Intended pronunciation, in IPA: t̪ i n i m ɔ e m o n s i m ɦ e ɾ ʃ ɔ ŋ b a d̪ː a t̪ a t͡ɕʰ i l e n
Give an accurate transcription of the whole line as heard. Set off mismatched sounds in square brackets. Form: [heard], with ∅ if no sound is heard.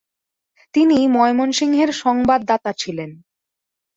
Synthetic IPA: t̪ i n i m ɔ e m o n [ʃ] i [ŋ] ɦ e ɾ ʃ ɔ ŋ b a d̪ː a t̪ a t͡ɕʰ i l e n

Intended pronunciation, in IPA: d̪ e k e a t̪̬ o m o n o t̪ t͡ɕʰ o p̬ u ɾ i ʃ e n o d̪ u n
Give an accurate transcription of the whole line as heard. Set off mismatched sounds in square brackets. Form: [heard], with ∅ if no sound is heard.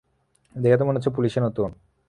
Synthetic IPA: d̪ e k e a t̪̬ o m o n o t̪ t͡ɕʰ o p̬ u [l] i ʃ e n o [t̪] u n

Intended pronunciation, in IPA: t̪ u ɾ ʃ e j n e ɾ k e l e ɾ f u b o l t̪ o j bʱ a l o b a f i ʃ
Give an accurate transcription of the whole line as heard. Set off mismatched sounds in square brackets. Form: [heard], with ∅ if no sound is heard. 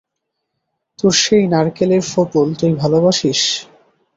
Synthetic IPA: t̪ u ɾ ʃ e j n [a] ɾ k e l e ɾ f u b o l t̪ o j bʱ a l o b a [ʃ] i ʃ

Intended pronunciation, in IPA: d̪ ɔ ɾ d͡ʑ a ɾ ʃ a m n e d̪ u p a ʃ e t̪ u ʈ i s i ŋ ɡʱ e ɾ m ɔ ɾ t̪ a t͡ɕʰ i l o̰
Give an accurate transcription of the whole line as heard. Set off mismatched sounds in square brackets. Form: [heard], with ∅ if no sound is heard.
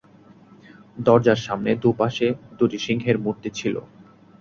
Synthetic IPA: d̪ ɔ ɾ d͡ʑ a ɾ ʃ a m n e d̪ u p a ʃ e [d̪] u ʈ i [ʃ] i ŋ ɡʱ e ɾ m [u] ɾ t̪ [e] t͡ɕʰ i l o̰

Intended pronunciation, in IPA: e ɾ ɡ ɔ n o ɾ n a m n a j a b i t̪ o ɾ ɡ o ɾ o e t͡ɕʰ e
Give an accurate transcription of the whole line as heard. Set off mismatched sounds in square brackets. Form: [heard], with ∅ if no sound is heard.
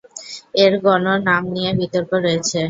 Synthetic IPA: e ɾ ɡ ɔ n o ɾ n a m n [i] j [e] b i t̪ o ɾ [k] o ɾ o e t͡ɕʰ e

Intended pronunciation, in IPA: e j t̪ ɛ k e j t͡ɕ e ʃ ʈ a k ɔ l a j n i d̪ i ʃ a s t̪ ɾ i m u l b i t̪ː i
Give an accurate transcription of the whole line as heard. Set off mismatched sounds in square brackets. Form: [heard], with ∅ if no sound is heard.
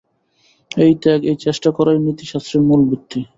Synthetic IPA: e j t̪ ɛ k e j t͡ɕ e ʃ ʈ a k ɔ [ɾ] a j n i [t̪] i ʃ a s t̪ ɾ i m u l b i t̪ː i

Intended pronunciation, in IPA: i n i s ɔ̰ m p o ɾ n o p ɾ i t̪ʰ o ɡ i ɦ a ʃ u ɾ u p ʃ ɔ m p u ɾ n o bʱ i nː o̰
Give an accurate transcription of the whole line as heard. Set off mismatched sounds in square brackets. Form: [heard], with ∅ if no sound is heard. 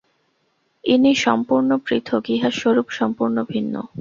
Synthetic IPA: i n i [ʃ] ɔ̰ m p [u] ɾ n o p ɾ i t̪ʰ o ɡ i ɦ a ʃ [o] ɾ u p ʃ ɔ m p u ɾ n o bʱ i nː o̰

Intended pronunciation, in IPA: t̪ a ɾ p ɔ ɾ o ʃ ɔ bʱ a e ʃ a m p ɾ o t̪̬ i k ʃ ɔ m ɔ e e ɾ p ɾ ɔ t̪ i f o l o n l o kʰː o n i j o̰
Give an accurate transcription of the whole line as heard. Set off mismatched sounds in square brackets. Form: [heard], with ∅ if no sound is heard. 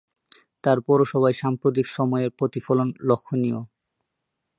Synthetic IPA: t̪ a ɾ p ɔ ɾ o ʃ ɔ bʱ a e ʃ a m p ɾ o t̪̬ i k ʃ ɔ m ɔ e e ɾ p ɾ [o] t̪ i f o l o n l o kʰː o n i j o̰

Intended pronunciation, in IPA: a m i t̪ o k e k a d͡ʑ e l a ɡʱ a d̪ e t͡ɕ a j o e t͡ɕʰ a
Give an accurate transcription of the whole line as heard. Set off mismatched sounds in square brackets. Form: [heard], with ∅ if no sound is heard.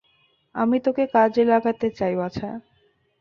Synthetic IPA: a m i t̪ o k e k a d͡ʑ e l a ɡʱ a [t̪] e t͡ɕ a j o [a] t͡ɕʰ a

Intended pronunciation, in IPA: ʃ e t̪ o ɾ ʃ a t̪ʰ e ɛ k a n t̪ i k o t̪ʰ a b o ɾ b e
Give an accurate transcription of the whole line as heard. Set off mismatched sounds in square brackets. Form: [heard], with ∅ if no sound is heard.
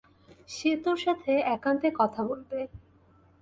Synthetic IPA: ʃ e t̪ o ɾ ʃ a t̪ʰ e ɛ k a n t̪ [e] k [ɔ] t̪ʰ a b o [l] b e

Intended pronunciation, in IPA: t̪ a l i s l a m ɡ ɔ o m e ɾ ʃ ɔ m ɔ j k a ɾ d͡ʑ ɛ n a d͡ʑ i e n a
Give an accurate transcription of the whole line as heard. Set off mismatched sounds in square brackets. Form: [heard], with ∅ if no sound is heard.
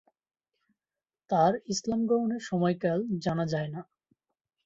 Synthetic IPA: t̪ a [ɾ] i s l a m ɡ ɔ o [n] e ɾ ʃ ɔ m ɔ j k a [l] d͡ʑ [a] n a d͡ʑ [a] e n a

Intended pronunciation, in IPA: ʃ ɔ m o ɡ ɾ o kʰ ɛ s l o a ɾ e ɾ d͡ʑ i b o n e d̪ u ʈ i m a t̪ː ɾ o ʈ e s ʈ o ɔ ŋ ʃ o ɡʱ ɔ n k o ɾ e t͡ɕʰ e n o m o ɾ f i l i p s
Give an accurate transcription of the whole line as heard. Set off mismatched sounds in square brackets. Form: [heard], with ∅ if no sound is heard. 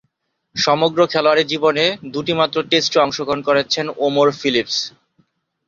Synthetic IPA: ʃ ɔ m o ɡ ɾ o kʰ ɛ [∅] l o a ɾ e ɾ d͡ʑ i b o n e d̪ u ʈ i m a t̪ː ɾ o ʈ e s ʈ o ɔ ŋ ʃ o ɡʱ [o] n k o ɾ e t͡ɕʰ e n o m o ɾ f i l i p s

